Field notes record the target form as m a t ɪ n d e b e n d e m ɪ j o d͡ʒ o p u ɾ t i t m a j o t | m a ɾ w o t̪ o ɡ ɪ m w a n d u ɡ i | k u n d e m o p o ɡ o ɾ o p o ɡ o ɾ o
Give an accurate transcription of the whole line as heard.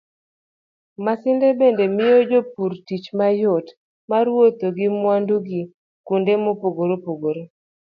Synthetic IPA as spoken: m a s ɪ n d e b e n d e m ɪ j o d͡ʒ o p u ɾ t i t͡ʃ m a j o t | m a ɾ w o t̪ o ɡ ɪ m w a n d u ɡ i | k u n d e m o p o ɡ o ɾ o p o ɡ o ɾ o

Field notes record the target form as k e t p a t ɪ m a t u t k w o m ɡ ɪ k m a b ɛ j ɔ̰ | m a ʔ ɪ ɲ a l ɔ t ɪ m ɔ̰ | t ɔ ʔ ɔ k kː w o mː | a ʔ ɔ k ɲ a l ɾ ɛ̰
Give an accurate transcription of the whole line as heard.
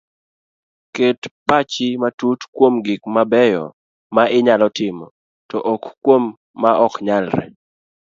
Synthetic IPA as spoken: k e t p a t͡ʃ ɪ m a t u t k w o m ɡ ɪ k m a b ɛ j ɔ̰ | m a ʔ ɪ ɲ a l ɔ t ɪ m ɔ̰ | t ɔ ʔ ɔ k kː w o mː | a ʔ ɔ k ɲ a l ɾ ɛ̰

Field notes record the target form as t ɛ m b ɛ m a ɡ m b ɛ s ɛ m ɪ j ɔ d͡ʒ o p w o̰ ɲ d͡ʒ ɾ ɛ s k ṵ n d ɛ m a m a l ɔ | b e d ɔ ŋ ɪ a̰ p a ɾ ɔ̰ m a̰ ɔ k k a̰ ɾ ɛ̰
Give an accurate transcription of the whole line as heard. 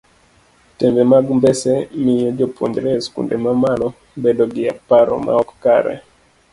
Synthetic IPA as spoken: t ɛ m b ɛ m a ɡ m b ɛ s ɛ m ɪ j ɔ d͡ʒ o p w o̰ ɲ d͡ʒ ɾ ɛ s k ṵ n d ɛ m a m a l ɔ | b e d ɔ ɡ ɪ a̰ p a ɾ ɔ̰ m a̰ ɔ k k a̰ ɾ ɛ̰

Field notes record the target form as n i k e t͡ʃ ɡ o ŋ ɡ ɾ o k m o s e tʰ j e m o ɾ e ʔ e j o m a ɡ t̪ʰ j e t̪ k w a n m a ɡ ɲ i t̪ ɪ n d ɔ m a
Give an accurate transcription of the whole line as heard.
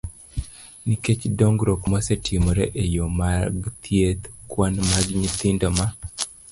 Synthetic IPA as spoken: n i k e t͡ʃ d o ŋ ɡ ɾ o k m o s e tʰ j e m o ɾ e ʔ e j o m a ɡ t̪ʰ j e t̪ k w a n m a ɡ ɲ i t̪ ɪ n d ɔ m a

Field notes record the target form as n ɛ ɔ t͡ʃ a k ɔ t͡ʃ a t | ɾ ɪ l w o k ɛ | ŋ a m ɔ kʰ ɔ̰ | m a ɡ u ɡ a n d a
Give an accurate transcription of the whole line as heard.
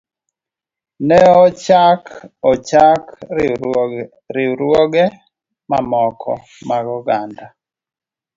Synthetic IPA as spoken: n ɛ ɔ t͡ʃ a k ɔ t͡ʃ a k | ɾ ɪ ɾ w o ɡ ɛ | m a m ɔ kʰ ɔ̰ | m a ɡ ɔ ɡ a n d a

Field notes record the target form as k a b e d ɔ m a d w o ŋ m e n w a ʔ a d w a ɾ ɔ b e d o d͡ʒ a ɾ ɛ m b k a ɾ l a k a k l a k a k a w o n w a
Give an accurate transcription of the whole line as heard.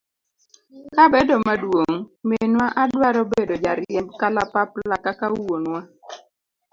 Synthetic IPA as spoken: k a b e d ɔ m a d w o ŋ m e n w a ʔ a d w a ɾ ɔ b e d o d͡ʒ a ɾ ɛ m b k a l a p a p l a k a k a w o n w a

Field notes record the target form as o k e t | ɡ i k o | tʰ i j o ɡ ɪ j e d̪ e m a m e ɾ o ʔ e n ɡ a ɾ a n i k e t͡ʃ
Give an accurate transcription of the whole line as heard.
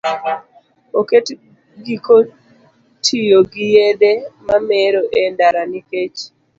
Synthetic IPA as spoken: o k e t | ɡ i k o | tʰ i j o ɡ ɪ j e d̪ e m a m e ɾ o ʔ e n d a ɾ a n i k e t͡ʃ

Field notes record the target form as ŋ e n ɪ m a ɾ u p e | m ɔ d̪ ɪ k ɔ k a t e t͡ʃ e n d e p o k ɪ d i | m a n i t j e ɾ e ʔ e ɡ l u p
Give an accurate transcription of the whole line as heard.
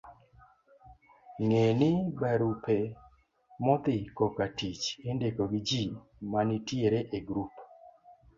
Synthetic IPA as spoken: ŋ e n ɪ b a ɾ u p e | m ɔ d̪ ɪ k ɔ k a t i t͡ʃ e n d e k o ɡ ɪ d͡ʒ i | m a n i t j e ɾ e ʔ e ɡ ɾ u p

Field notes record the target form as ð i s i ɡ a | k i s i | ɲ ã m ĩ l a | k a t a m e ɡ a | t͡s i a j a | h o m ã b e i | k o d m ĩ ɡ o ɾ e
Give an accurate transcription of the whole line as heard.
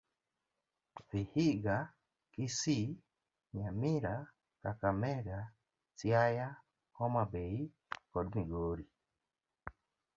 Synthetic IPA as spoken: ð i h i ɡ a | k i s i | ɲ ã m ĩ ɾ a | k a k a m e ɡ a | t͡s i a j a | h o m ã b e i | k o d m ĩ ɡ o ɾ i

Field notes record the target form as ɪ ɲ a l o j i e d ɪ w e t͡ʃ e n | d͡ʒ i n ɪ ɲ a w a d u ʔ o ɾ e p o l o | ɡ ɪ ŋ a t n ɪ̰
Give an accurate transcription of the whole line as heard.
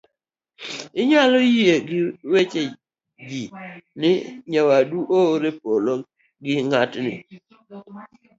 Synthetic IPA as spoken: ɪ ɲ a l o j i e ɡ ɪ w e t͡ʃ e | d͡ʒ i n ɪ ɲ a w a d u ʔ o ɾ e p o l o | ɡ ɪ ŋ a t n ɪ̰

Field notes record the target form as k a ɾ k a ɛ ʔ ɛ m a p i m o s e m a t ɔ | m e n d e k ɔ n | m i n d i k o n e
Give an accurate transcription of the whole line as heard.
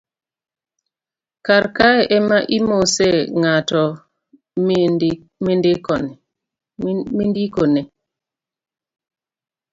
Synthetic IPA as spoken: k a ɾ k a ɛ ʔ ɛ m a ʔ i m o s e ŋ a t ɔ | m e n d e k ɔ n | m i n d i k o n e

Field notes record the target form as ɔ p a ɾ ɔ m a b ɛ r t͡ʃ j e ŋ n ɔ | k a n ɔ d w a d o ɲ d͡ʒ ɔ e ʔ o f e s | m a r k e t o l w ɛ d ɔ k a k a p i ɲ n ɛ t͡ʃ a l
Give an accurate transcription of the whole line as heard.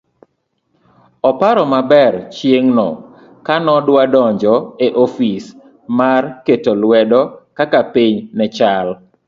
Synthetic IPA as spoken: ɔ p a ɾ ɔ m a b ɛ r t͡ʃ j e ŋ n ɔ | k a n ɔ d w a d ɔ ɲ d͡ʒ ɔ e ʔ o f i s | m a r k e t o l w ɛ d ɔ k a k a p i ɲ n ɛ t͡ʃ a l

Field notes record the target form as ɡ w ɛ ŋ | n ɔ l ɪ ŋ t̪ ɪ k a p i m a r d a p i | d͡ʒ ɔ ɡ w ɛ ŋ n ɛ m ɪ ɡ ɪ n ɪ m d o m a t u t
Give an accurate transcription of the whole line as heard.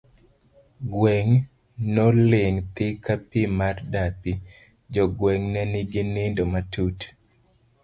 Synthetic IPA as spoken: ɡ w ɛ ŋ | n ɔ l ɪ ŋ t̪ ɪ k a p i m a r d a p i | d͡ʒ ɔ ɡ w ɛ ŋ n ɛ n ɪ ɡ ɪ n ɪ n d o m a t u t

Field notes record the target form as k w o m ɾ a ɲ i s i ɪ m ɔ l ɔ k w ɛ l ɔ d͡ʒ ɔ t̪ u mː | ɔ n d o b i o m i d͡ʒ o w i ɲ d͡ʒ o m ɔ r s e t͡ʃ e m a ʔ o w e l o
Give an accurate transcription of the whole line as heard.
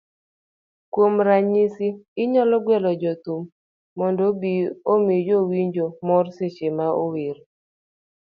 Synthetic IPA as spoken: k w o m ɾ a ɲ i s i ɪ ɲ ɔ l ɔ ɡ w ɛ l ɔ d͡ʒ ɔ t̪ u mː | ɔ n d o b i o m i d͡ʒ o w i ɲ d͡ʒ o m ɔ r s e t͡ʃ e m a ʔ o w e ɾ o

